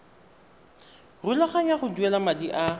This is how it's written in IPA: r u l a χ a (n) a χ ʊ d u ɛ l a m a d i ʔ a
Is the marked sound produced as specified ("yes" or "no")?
no